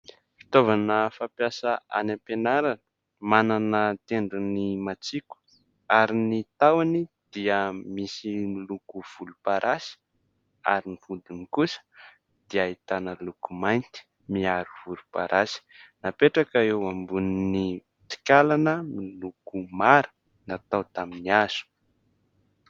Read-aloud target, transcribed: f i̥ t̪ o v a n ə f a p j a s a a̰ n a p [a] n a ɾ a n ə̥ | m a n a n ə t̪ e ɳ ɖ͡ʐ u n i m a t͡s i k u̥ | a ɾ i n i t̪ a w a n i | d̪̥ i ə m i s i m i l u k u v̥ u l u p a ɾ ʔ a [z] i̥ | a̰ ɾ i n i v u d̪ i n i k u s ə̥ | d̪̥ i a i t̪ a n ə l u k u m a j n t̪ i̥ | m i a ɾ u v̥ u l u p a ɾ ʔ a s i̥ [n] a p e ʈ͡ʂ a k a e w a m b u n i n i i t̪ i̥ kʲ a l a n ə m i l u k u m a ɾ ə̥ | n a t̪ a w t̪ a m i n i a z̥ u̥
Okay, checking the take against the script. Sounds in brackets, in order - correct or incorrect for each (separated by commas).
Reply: incorrect, incorrect, correct